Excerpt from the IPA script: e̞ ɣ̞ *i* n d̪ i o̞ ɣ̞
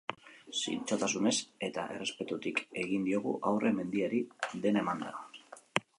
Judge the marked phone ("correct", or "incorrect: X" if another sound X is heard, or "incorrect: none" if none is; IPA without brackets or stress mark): correct